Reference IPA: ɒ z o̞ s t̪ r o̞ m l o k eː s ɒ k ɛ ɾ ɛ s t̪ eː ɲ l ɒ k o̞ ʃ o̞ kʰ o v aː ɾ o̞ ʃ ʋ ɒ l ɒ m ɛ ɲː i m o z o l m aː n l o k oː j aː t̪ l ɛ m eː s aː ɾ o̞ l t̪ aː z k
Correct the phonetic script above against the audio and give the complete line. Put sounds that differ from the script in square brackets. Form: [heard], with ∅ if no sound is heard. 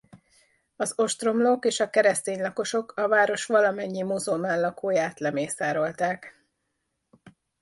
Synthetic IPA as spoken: ɒ z o̞ [ʃ] t̪ r o̞ m l o k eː [ʃ] ɒ k ɛ ɾ ɛ s t̪ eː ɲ l ɒ k o̞ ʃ o̞ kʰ [ɒ] v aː ɾ o̞ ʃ ʋ ɒ l ɒ m ɛ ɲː i m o z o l m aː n l [ɒ] k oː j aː t̪ l ɛ m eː s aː ɾ o̞ l t̪ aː [∅] k